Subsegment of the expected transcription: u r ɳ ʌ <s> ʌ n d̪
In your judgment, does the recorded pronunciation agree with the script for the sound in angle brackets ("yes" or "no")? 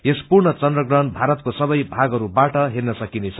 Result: no